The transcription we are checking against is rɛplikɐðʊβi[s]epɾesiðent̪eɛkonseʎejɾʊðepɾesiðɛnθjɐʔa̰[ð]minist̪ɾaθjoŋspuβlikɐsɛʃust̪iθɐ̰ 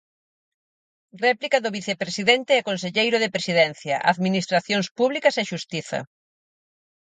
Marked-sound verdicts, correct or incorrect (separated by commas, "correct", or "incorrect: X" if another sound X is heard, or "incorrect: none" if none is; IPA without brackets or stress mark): incorrect: θ, correct